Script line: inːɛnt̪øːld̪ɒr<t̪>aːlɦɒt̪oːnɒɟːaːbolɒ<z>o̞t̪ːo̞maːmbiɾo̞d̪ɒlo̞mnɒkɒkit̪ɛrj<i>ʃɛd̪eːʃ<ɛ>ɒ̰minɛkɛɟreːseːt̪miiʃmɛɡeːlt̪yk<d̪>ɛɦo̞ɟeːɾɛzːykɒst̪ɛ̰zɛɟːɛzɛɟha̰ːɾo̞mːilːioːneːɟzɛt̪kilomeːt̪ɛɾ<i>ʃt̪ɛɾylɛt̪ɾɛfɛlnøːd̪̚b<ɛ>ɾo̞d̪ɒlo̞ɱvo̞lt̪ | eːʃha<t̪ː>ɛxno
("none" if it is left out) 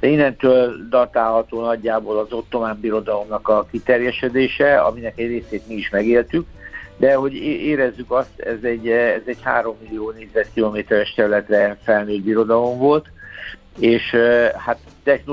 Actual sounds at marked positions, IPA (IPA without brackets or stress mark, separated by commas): t̪, z, ɛ, ɛ, d̪, ɛ, i, t̪ː